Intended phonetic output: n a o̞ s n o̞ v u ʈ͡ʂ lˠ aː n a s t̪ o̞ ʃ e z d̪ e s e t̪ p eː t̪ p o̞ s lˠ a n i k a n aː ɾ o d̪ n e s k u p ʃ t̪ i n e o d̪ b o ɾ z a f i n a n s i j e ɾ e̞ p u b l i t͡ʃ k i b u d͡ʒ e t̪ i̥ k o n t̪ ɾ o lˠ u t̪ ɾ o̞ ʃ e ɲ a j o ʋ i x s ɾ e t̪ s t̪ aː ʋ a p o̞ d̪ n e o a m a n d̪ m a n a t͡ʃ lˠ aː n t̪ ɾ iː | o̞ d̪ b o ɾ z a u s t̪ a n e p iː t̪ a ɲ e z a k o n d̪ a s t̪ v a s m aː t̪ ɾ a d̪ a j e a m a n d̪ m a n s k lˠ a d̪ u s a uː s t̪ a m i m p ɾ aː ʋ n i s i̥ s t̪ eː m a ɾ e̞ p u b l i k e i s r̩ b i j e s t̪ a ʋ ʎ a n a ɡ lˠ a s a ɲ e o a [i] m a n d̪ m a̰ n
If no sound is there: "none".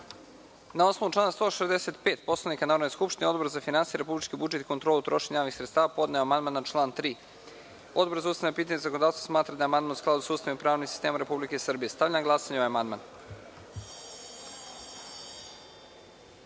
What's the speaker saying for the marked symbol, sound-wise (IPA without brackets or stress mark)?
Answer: a